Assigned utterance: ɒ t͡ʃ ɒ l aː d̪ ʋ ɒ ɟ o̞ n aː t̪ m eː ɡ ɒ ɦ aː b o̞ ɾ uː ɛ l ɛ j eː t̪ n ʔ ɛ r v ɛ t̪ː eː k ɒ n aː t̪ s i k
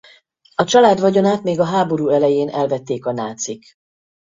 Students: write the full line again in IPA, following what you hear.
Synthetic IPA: ɒ t͡ʃ ɒ l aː d̪ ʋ ɒ ɟ o̞ n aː t̪ m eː ɡ ɒ ɦ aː b o̞ ɾ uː ɛ l ɛ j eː n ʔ ɛ l v ɛ t̪ː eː k ɒ n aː t̪ s i k